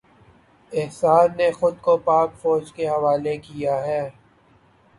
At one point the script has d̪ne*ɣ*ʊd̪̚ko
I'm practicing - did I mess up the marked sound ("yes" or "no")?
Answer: yes